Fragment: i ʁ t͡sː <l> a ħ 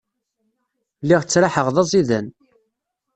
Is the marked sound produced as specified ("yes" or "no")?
no